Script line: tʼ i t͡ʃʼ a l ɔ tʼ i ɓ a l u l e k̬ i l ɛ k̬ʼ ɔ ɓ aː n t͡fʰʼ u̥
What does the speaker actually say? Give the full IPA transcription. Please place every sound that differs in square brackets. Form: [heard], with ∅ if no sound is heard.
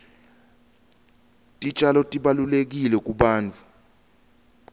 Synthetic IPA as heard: tʼ i t͡ʃʼ a l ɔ tʼ i ɓ a l u l e k̬ i l ɛ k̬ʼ [u] ɓ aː n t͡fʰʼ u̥